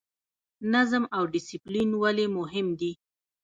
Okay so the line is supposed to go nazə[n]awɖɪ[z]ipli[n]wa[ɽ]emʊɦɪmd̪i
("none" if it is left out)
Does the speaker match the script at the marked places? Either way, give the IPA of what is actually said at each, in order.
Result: m, s, n, l

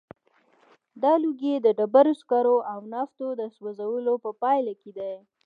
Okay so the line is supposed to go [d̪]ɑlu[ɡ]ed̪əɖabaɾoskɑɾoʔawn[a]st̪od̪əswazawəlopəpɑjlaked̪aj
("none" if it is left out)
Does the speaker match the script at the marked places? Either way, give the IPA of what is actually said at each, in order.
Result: d̪, ɡ, ɑ

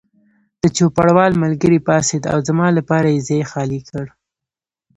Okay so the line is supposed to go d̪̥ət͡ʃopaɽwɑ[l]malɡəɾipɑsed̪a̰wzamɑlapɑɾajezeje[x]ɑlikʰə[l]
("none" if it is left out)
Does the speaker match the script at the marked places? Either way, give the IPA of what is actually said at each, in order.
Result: l, x, ɽ

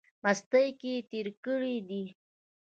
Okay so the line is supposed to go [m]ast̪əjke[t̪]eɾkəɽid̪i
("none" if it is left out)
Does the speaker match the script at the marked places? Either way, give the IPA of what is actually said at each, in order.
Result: m, t̪

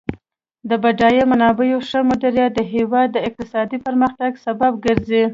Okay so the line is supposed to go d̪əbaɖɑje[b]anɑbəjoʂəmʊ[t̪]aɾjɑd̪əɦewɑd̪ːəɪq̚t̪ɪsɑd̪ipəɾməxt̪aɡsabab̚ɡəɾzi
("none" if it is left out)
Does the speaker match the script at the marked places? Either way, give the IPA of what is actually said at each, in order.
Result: m, d̪

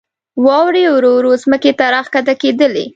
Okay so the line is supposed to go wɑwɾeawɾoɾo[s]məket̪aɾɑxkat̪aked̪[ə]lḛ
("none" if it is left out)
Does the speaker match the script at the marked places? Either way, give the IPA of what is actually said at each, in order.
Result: z, ə

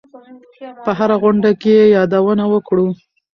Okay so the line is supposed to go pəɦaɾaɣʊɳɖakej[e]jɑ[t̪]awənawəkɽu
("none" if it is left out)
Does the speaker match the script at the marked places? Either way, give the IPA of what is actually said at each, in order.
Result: e, d̪

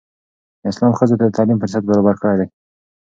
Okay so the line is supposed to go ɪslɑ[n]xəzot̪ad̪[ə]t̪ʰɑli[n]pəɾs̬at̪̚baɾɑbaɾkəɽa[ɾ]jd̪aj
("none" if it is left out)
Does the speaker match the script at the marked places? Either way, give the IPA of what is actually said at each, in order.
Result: m, ə, m, none

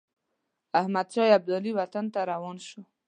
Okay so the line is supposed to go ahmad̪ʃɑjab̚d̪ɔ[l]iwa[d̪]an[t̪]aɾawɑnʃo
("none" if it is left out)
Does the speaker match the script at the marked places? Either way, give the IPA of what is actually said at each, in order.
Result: l, t̪, t̪

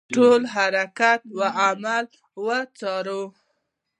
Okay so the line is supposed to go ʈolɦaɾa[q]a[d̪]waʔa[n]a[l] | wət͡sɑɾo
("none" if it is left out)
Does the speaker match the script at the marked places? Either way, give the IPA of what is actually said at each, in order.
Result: k, t̪, m, l

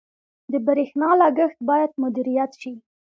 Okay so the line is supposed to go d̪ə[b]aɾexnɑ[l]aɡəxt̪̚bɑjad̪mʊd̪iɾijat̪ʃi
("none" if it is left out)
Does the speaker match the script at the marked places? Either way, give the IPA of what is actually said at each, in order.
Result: b, l

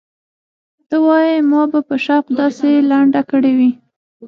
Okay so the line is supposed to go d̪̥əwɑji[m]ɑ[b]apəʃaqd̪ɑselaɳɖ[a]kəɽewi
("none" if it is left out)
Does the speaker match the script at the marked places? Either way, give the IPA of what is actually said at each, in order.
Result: m, b, a

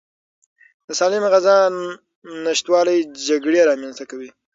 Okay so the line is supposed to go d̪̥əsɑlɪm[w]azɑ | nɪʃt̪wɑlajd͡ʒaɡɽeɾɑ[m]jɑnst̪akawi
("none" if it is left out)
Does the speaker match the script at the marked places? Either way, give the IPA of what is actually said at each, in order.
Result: ɣ, m

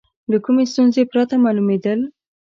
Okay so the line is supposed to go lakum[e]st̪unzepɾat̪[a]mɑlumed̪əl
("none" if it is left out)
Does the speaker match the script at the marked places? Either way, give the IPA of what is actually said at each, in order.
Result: e, a

